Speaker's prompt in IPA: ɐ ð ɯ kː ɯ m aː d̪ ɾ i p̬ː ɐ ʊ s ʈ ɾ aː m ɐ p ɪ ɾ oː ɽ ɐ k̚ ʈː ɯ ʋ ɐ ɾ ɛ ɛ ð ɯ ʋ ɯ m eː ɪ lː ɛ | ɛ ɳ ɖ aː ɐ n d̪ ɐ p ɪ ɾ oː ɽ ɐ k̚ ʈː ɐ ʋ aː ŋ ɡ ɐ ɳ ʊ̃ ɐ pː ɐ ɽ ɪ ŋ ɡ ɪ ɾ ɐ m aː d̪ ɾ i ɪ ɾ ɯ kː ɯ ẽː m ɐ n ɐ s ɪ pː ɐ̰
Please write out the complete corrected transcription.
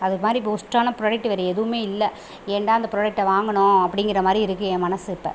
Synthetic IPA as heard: ɐ ð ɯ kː ɯ m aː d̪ ɾ i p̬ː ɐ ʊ s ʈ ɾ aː n ɐ p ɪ ɾ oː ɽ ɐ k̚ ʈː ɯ ʋ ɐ ɾ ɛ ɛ ð ɯ ʋ ɯ m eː ɪ lː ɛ | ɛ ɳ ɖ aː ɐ n d̪ ɐ p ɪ ɾ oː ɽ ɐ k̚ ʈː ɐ ʋ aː ŋ ɡ ɐ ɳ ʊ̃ ɐ pː ɐ ɽ ɪ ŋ ɡ ɪ ɾ ɐ m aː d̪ ɾ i ɪ ɾ ɯ kː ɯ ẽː m ɐ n ɐ s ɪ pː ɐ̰